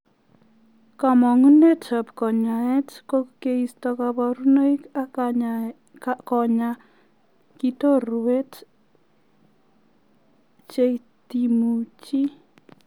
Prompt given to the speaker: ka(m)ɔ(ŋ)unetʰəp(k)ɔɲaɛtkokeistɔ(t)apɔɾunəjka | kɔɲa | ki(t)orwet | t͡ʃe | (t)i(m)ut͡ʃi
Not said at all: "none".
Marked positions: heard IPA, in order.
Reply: m, ŋ, k, k, t, t, m

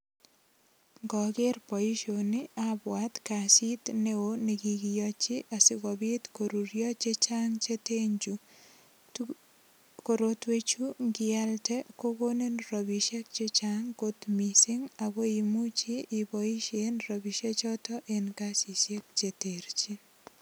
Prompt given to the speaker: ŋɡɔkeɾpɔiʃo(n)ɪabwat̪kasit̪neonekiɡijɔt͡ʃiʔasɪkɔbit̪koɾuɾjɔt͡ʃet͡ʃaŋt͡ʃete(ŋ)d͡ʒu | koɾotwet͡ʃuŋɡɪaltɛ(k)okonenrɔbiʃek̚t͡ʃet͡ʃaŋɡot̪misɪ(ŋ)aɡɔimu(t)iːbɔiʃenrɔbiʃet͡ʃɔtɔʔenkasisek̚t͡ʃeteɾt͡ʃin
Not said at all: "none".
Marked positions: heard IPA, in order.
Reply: n, ɲ, k, ŋ, t͡ʃ

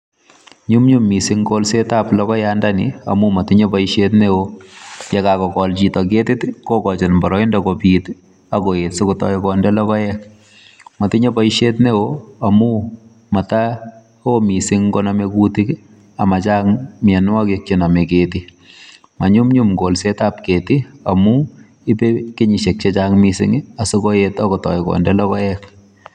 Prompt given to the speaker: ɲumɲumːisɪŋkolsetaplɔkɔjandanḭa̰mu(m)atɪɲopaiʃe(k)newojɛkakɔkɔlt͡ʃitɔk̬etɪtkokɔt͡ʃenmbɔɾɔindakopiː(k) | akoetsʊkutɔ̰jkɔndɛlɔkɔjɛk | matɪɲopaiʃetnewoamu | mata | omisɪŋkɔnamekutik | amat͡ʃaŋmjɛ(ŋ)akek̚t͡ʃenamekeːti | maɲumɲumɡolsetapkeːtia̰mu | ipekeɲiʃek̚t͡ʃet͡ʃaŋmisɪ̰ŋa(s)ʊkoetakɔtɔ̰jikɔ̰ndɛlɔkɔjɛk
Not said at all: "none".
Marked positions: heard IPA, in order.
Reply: m, t, t, n, s

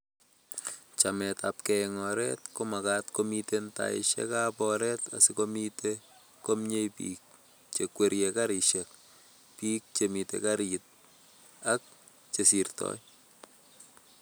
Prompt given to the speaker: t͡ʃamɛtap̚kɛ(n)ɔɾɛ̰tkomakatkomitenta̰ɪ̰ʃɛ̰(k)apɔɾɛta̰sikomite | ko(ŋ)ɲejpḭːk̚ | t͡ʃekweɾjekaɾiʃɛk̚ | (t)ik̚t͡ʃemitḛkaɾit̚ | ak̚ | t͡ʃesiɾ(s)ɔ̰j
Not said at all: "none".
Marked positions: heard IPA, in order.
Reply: ŋ, k, m, p, t

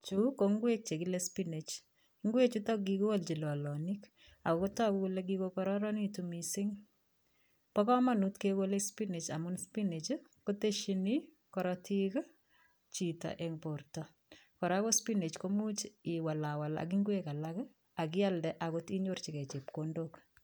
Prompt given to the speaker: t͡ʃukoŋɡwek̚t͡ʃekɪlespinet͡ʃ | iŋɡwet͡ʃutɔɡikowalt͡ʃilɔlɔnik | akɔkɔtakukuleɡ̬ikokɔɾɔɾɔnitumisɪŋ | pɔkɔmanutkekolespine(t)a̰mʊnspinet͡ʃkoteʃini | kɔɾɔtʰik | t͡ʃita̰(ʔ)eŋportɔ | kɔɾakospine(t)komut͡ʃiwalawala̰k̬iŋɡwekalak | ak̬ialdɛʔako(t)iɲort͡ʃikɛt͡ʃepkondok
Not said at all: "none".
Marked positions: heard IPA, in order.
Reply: t͡ʃ, ʔ, t͡ʃ, t

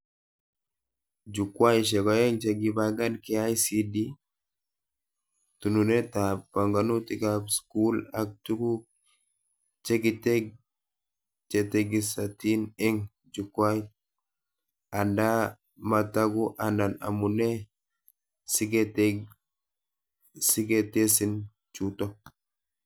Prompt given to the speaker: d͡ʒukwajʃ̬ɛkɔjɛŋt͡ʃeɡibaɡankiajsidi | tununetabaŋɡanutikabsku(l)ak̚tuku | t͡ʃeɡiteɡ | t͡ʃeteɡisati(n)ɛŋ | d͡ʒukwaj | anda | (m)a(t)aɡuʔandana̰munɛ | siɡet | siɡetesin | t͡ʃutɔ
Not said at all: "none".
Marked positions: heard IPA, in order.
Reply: l, n, m, t

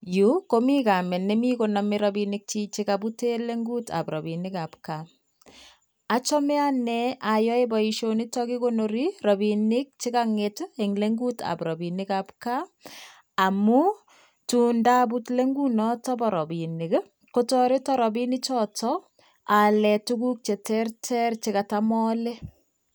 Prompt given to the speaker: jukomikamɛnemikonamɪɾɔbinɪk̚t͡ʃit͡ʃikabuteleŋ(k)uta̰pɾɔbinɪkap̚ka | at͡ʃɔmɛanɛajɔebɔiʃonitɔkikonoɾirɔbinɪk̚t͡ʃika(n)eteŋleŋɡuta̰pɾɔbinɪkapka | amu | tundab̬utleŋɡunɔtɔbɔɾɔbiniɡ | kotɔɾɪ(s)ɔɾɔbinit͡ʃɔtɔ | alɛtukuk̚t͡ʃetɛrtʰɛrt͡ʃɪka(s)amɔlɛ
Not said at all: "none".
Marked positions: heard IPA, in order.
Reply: ɡ, ŋ, t, t

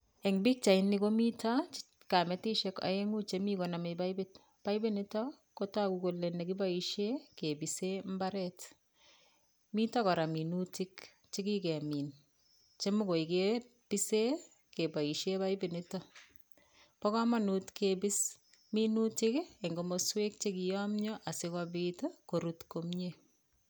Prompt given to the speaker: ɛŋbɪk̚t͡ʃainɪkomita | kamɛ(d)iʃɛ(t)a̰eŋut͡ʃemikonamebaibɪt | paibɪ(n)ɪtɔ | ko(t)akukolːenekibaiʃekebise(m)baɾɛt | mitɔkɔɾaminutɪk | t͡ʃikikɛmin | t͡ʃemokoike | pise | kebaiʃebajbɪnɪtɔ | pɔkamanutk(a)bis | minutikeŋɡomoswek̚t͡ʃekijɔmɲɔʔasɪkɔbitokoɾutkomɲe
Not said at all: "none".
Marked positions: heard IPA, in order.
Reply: t, k, n, t, m, e

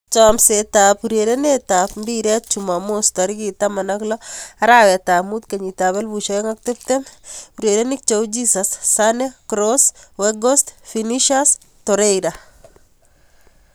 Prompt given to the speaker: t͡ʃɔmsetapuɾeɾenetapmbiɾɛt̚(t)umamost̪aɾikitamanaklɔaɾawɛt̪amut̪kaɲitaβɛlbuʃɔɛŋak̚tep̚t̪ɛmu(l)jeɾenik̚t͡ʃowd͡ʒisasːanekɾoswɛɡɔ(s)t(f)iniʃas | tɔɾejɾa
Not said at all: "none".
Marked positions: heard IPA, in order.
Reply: t͡ʃ, ɾ, s, f

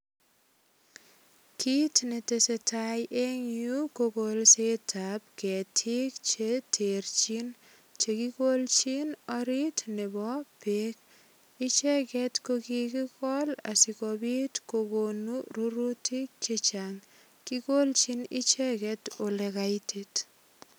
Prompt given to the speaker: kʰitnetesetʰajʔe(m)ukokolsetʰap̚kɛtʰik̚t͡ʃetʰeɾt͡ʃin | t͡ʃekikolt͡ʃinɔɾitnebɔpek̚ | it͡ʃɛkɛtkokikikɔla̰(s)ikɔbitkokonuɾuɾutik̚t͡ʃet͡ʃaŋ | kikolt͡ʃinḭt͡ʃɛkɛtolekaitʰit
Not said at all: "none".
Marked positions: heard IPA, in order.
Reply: ŋ, s

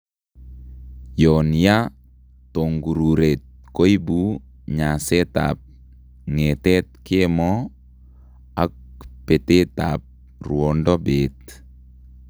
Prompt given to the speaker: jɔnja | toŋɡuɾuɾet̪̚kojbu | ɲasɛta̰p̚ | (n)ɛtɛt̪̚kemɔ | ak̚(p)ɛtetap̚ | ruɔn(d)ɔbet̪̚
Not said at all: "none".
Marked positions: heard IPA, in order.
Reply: ŋ, p, d

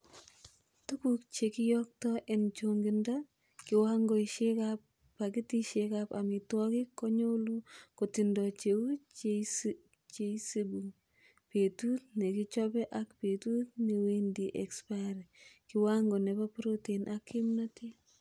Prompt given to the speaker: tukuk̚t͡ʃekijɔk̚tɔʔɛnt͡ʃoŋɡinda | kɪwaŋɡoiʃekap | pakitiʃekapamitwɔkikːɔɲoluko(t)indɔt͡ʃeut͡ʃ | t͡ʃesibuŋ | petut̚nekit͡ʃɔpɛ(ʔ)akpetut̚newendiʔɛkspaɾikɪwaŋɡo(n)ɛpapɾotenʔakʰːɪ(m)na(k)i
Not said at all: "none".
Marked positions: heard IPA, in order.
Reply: t, ʔ, n, m, t

